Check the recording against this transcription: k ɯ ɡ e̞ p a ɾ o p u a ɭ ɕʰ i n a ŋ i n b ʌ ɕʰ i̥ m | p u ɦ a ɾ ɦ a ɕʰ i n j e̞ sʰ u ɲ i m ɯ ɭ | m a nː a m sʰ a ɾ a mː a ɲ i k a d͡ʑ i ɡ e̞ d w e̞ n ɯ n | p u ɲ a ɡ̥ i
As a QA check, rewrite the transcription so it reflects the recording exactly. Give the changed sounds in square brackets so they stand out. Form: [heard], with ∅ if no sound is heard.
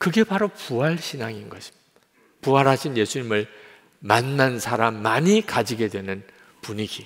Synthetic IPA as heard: k ɯ ɡ e̞ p a ɾ o p u a ɭ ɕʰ i n a ŋ i n [ɡ] ʌ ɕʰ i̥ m | p u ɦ a ɾ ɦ a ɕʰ i n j e̞ sʰ u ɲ i m ɯ ɭ | m a nː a [n] sʰ a ɾ a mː a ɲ i k a d͡ʑ i ɡ e̞ d w e̞ n ɯ n | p u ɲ [i] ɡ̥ i